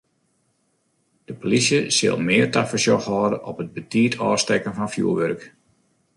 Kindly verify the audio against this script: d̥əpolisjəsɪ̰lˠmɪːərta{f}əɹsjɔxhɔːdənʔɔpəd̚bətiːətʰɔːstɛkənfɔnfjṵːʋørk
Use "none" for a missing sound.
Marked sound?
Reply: f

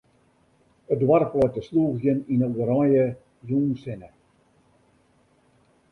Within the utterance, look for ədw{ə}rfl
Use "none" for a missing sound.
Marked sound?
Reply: a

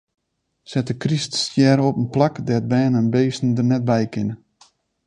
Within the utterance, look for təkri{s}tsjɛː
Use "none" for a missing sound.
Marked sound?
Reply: s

